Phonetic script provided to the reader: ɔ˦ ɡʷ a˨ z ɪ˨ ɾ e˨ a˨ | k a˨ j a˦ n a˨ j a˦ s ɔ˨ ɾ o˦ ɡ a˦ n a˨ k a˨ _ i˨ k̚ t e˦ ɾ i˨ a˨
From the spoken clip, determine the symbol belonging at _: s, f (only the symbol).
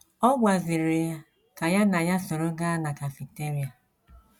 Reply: f